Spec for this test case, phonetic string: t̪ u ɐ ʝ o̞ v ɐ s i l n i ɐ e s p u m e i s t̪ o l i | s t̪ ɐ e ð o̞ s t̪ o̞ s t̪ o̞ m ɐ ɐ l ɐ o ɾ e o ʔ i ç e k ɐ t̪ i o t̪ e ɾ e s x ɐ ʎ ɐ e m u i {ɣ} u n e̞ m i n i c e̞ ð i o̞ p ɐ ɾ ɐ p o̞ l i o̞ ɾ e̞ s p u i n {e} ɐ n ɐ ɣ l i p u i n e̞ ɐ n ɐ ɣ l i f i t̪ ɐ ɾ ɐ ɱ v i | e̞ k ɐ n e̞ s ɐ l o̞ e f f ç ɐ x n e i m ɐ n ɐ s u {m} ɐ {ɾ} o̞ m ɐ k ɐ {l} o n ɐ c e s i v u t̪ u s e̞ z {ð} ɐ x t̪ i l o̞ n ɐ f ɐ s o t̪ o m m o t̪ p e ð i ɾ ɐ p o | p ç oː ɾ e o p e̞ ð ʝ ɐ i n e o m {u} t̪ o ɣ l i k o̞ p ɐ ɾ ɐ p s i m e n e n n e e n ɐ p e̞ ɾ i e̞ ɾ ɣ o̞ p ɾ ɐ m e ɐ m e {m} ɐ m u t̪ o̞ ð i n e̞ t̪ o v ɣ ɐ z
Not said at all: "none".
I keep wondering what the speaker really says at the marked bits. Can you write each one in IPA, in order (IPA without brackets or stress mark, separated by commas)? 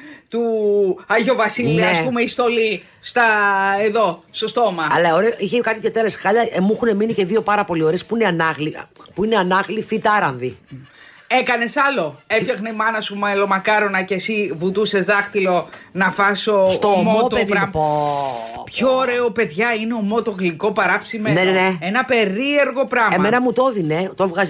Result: x, e, m, l, ɾ, ð, o, n